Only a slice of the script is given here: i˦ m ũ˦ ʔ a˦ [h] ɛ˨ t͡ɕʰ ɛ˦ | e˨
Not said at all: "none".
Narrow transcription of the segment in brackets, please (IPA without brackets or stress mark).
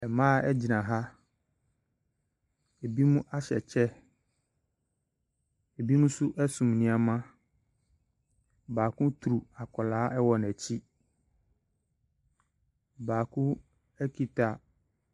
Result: ɕ